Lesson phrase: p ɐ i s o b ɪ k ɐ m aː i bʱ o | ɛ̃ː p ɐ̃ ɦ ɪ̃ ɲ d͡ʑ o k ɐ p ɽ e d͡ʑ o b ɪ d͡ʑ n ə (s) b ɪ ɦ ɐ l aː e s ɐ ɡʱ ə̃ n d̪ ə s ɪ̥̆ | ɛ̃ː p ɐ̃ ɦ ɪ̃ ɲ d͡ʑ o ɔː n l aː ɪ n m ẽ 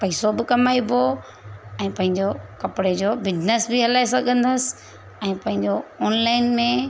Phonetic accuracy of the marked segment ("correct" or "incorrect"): correct